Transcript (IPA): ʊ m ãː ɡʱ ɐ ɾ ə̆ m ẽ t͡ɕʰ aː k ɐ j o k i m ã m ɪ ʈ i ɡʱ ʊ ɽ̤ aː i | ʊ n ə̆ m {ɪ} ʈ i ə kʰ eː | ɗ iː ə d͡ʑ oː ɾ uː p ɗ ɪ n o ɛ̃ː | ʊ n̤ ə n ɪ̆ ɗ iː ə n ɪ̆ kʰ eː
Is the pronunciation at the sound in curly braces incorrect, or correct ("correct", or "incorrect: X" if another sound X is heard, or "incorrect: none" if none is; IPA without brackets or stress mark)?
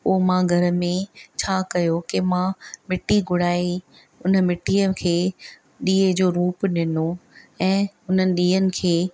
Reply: correct